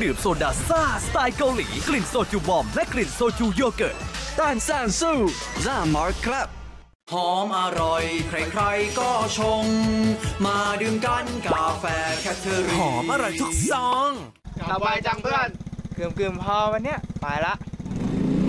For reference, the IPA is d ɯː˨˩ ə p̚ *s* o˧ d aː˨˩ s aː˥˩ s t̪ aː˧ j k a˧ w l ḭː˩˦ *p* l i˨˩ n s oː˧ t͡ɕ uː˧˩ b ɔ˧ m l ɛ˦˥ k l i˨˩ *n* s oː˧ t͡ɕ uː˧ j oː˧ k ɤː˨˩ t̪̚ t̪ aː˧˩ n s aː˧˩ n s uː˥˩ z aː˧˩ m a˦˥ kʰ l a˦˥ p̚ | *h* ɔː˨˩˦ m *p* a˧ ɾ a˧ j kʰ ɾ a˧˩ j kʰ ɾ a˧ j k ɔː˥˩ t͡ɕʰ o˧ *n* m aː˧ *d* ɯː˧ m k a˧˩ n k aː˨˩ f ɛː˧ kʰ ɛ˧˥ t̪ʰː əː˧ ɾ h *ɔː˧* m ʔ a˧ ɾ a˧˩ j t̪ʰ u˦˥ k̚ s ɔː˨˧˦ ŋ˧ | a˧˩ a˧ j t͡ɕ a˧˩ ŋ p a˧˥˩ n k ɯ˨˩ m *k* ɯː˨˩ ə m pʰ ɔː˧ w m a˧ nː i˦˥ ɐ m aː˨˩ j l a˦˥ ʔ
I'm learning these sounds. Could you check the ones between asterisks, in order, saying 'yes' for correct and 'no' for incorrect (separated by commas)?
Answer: yes, no, yes, yes, no, no, yes, no, yes